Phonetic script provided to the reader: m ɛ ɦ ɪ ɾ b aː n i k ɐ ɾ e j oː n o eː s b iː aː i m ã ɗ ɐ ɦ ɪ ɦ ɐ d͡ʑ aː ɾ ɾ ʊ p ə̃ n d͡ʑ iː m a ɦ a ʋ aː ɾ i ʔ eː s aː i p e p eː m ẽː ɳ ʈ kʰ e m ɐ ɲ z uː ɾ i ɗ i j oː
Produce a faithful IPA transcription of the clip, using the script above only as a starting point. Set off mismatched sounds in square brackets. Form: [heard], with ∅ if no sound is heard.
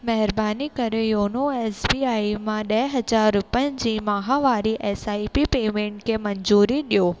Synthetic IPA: m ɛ ɦ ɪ ɾ b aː n i k ɐ ɾ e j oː n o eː s b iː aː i m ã ɗ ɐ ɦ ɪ ɦ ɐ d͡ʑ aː ɾ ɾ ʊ p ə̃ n d͡ʑ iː m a ɦ a ʋ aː ɾ i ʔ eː s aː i p [i] p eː m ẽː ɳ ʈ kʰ e m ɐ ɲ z uː ɾ i ɗ i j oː